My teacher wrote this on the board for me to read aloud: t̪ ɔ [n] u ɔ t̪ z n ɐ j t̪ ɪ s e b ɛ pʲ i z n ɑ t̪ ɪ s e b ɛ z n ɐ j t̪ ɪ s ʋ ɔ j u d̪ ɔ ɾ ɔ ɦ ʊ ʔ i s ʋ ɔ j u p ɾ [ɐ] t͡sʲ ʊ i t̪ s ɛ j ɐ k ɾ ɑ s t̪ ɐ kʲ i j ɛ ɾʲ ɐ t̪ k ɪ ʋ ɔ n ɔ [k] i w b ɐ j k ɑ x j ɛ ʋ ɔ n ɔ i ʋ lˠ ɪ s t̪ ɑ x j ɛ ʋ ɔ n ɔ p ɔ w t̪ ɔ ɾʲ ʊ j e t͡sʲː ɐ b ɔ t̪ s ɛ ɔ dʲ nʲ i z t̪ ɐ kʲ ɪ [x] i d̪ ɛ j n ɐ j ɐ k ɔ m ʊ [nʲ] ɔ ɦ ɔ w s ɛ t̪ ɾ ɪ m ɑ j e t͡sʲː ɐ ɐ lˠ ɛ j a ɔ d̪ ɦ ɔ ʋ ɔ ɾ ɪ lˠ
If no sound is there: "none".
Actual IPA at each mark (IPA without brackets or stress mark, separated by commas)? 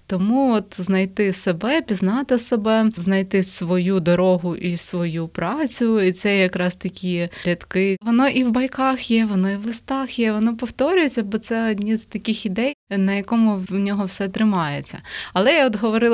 m, ɑ, ʔ, x, nʲ